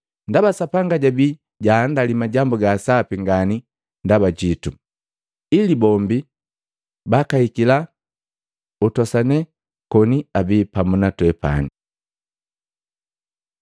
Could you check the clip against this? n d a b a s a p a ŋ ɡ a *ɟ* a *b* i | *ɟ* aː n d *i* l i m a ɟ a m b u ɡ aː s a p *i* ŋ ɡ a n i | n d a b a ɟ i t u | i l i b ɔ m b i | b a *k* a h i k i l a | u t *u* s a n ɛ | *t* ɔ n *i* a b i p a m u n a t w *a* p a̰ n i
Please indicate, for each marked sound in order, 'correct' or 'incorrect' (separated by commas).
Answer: correct, correct, correct, incorrect, correct, correct, incorrect, incorrect, correct, incorrect